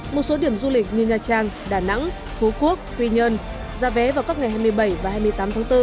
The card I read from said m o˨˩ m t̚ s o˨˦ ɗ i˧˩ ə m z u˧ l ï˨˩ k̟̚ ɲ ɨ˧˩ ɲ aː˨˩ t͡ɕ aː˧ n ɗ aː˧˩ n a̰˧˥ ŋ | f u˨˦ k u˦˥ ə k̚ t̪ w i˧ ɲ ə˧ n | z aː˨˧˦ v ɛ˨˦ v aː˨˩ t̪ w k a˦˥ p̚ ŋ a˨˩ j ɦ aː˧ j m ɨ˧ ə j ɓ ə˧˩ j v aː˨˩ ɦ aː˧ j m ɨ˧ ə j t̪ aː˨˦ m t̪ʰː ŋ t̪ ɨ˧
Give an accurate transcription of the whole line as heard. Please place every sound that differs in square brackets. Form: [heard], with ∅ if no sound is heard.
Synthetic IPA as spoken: m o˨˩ [∅] t̚ s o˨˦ ɗ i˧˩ ə m z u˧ l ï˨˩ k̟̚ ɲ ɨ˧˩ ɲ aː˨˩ t͡ɕ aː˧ [ŋ] ɗ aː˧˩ n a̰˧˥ ŋ | f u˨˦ k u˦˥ ə k̚ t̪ w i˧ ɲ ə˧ n | z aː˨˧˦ v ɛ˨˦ v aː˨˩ [∅] w k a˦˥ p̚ ŋ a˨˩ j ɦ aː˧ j m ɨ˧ ə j ɓ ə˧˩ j v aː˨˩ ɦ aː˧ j m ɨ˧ ə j t̪ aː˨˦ m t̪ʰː ŋ t̪ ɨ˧